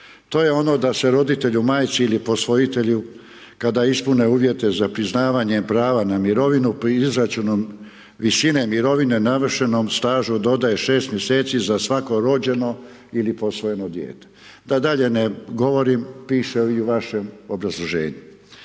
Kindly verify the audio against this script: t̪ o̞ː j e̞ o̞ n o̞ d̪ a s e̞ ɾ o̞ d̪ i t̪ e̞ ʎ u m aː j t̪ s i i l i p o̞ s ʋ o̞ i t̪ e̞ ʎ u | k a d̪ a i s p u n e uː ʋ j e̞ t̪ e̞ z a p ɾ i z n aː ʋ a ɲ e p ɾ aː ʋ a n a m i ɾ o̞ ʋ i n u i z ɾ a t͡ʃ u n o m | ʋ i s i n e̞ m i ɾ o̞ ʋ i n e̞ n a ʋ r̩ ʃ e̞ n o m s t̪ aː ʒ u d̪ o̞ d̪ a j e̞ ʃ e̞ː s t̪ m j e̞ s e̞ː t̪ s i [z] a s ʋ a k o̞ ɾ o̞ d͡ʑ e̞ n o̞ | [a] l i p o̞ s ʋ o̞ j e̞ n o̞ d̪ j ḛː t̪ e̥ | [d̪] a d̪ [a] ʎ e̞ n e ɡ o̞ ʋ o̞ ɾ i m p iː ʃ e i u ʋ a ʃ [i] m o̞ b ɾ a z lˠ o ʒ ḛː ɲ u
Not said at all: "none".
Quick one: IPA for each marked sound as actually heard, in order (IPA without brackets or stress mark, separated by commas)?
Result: z, i, d̪, a, e